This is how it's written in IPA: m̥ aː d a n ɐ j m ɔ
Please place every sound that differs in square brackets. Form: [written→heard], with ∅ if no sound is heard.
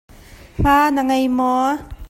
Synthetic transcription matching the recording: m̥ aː [d→n] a [n→ŋ] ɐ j m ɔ

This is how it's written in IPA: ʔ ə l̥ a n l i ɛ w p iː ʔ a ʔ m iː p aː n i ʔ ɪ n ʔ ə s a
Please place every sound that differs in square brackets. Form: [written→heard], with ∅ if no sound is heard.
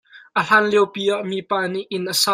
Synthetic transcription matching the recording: ʔ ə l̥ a n l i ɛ w p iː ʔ a ʔ m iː p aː n i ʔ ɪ n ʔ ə s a

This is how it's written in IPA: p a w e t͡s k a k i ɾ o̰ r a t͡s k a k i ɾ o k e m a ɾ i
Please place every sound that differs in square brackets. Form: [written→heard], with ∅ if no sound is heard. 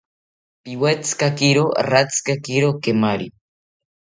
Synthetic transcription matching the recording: p [a→i] w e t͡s k a k i ɾ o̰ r a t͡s k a k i ɾ o k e m a ɾ i

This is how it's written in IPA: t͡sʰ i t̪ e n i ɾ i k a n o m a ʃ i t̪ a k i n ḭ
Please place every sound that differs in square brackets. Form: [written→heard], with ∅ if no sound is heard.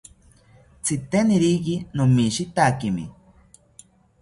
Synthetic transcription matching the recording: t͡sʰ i t̪ e n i ɾ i k [a→i] n o m [a→i] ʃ i t̪ a k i [n→m] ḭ

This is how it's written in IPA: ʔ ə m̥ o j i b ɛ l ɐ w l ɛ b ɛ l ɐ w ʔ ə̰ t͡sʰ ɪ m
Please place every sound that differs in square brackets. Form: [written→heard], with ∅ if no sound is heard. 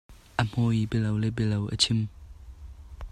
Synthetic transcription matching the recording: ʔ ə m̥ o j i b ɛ l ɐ w l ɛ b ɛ l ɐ w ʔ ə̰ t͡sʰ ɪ m

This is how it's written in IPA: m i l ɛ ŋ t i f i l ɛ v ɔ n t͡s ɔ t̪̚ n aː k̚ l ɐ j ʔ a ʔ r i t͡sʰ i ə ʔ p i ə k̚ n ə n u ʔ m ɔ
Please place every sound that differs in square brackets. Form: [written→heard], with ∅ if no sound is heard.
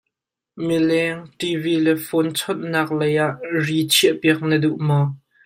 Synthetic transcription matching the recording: m i l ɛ ŋ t i [f→v] i l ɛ [v→f] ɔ n [t͡s→t͡sʰ] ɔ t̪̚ n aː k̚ l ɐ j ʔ a ʔ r i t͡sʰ i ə ʔ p i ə k̚ n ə [n→d] u ʔ m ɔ

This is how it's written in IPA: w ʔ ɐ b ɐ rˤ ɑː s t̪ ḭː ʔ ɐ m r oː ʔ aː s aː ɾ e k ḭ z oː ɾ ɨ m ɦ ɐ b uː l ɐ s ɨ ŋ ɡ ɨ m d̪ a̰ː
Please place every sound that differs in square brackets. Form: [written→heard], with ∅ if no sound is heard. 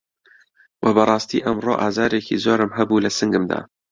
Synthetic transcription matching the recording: w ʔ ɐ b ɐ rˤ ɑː s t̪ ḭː ʔ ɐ m r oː ʔ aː [s→z] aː ɾ e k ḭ z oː ɾ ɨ m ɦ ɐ b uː l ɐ s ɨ ŋ ɡ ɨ m d̪ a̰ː

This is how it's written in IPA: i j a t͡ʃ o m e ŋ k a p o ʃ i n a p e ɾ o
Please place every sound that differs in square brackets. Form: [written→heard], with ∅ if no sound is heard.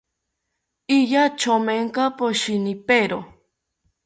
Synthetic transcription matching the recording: i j a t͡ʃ o m e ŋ k a p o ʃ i n [a→i] p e ɾ o

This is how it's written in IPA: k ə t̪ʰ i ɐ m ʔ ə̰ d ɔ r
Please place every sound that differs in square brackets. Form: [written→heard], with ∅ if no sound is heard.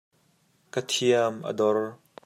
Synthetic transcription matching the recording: k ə t̪ʰ i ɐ m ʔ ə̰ d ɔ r

